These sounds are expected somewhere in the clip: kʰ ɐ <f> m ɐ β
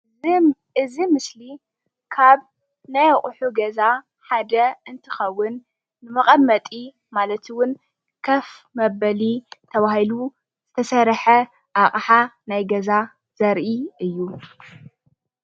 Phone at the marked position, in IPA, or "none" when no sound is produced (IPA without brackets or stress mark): f